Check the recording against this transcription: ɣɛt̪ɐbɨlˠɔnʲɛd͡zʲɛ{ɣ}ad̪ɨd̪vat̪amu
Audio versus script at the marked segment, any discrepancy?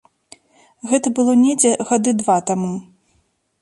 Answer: no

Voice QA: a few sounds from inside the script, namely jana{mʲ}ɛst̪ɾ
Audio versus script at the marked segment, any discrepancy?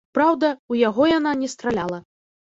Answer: yes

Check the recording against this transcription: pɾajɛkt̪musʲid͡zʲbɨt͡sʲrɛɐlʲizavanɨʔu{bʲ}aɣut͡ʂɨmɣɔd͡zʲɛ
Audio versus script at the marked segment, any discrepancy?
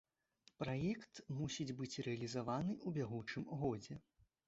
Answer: no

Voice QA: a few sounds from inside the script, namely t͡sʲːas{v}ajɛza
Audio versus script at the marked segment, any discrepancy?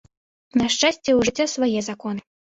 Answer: no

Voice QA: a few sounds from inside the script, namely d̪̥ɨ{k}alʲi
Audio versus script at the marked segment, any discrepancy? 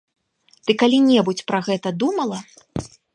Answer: no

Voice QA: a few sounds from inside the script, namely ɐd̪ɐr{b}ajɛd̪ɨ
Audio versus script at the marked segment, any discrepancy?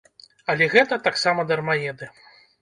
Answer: yes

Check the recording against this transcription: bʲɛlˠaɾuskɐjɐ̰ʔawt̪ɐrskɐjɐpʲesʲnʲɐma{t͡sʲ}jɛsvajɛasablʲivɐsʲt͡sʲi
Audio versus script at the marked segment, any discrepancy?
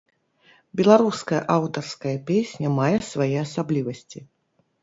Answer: yes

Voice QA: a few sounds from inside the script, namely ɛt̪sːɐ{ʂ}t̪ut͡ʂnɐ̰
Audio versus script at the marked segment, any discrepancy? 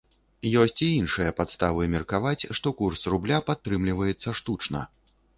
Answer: no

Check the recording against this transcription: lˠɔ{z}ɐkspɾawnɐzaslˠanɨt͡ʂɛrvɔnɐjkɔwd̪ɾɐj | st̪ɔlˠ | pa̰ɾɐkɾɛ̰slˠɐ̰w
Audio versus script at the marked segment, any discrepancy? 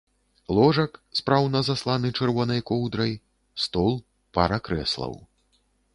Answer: yes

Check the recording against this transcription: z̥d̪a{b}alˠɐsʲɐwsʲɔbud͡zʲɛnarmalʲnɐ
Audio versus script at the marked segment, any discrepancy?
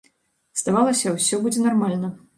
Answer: yes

